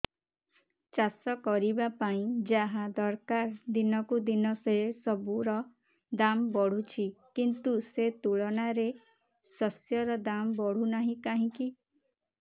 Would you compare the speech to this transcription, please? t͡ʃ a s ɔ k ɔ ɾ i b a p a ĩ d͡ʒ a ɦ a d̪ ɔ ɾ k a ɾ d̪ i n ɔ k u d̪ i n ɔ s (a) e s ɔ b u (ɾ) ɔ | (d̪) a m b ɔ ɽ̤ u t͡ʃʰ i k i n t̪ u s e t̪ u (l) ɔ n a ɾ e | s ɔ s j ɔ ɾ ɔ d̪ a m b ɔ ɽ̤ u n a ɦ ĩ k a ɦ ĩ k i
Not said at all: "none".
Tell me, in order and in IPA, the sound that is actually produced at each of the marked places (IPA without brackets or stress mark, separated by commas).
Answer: e, ɾ, d̪, ɭ